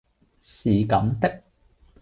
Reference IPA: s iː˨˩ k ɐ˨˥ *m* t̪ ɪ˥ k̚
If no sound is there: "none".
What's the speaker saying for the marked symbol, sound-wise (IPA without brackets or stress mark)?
m